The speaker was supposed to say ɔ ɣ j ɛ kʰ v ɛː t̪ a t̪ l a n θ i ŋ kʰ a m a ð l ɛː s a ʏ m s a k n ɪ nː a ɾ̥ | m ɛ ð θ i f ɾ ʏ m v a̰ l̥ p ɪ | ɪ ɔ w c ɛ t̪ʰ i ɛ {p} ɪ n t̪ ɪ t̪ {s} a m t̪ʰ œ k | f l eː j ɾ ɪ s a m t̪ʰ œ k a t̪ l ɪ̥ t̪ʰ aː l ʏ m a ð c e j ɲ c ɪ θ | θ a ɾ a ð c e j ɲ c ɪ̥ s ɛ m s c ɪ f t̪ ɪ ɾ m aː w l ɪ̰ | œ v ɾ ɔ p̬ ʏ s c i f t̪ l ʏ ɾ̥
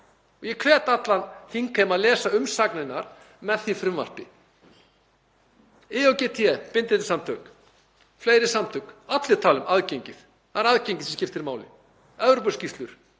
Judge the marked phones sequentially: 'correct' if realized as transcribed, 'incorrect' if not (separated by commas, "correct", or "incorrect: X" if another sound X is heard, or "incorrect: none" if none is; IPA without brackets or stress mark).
correct, correct